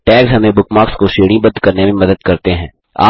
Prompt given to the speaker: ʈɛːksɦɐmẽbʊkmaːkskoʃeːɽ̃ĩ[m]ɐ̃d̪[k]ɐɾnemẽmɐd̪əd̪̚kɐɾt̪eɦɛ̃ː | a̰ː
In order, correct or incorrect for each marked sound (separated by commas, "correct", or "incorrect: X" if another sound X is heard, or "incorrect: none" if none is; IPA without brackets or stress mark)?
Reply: incorrect: b, correct